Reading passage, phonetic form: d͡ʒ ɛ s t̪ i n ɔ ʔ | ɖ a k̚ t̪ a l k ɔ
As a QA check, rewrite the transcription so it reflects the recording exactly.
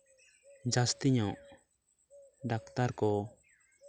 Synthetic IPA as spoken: d͡ʒ a s t̪ i ɲ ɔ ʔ | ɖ a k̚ t̪ a ɾ k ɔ

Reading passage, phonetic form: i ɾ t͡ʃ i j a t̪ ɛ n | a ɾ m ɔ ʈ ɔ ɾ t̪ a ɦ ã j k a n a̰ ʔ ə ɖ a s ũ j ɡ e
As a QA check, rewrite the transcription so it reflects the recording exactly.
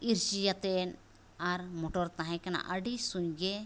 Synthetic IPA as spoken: i ɾ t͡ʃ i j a t̪ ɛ n | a ɾ m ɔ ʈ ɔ ɾ t̪ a ɦ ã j k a n a̰ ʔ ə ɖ i s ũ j ɡ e

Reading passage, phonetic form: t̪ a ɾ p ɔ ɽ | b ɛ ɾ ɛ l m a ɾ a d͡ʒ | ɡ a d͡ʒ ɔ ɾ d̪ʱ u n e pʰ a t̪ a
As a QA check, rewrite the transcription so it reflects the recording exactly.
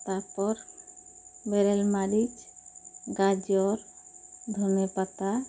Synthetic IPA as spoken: t̪ a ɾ p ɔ ɾ | b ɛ ɾ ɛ l m a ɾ i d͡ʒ | ɡ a d͡ʒ ɔ ɾ d̪ʱ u n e p a t̪ a

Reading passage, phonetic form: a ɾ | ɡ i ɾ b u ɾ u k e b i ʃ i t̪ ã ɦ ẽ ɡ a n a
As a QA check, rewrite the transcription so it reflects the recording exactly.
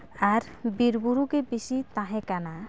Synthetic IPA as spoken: a ɾ | b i ɾ b u ɾ u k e b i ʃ i t̪ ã ɦ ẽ k a n a

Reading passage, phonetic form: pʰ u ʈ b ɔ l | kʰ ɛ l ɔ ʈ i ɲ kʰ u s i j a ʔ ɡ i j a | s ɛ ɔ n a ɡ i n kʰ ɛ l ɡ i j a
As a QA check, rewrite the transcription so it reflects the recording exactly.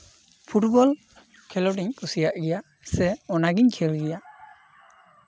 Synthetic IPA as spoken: pʰ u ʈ b ɔ l | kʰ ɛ l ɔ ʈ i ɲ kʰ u s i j a ʔ ɡ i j a | s ɛ ɔ n a ɡ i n kʰ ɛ l ɡ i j a

